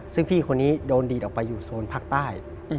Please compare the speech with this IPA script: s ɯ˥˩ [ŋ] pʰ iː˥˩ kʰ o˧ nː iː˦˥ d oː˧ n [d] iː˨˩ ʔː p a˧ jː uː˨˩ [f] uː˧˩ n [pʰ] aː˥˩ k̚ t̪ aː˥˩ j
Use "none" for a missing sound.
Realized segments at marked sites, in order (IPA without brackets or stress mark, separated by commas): ŋ, d, s, pʰ